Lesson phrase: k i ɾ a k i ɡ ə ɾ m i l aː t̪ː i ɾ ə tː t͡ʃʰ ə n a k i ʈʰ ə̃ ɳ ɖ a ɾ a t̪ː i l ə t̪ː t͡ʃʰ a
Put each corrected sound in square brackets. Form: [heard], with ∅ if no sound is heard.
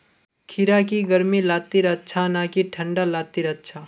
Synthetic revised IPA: [kʰ] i ɾ a k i ɡ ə ɾ m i l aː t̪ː i ɾ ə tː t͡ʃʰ [a] n a k i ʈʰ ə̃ ɳ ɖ a [l] a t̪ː i [ɾ] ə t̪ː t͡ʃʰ a